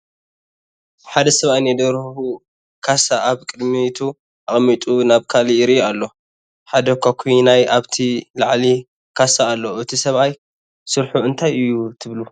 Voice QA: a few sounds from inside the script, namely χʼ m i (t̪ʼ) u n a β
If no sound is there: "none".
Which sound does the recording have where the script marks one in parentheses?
t̪ʼ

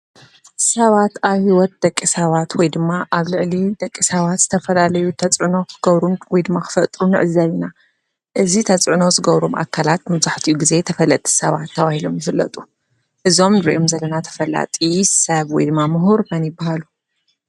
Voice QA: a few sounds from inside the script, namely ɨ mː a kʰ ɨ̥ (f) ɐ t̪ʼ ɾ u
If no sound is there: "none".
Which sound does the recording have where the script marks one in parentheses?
f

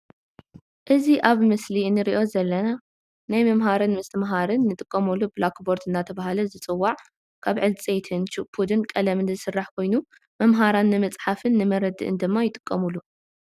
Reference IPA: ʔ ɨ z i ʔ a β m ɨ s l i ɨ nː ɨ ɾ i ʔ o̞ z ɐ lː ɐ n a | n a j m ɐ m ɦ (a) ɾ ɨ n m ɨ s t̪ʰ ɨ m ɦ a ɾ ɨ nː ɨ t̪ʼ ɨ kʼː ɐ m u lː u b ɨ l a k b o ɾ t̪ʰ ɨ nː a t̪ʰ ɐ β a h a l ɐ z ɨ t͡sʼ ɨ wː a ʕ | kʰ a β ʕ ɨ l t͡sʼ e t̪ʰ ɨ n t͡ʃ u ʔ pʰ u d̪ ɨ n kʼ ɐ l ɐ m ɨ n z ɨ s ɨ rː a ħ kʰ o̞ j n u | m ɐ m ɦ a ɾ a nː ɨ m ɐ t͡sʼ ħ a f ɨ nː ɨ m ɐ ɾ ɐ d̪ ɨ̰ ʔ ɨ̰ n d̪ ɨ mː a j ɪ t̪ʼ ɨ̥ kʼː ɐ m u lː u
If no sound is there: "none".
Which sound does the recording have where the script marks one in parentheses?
a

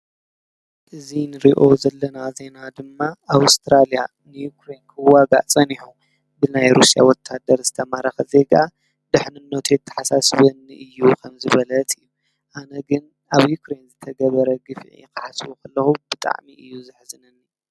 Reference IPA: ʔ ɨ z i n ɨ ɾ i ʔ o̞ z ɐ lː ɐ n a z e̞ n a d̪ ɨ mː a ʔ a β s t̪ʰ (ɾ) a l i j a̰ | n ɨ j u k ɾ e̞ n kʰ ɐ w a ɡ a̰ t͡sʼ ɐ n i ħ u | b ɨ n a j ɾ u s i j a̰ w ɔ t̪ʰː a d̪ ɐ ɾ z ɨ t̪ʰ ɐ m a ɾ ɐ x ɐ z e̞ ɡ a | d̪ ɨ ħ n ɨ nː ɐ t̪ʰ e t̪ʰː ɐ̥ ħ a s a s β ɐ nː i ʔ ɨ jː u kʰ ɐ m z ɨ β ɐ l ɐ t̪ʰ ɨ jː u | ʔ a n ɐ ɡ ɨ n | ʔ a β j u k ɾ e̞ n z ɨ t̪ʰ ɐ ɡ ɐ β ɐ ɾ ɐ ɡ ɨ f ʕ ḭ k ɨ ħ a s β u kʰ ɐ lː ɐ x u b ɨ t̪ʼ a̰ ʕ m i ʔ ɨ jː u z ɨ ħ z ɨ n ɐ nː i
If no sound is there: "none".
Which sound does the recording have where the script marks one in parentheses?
ɾ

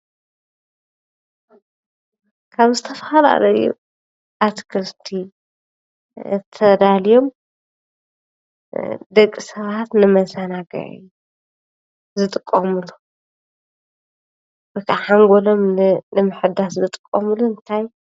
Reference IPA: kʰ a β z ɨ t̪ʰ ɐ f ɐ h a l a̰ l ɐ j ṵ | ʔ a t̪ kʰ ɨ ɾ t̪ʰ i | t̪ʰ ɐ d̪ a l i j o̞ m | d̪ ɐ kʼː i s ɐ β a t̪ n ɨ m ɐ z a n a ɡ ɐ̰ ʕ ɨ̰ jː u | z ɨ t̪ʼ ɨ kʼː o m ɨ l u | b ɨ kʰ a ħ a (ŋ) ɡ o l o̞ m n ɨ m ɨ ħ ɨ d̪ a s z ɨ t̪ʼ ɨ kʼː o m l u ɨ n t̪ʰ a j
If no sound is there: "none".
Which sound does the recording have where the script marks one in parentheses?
ŋ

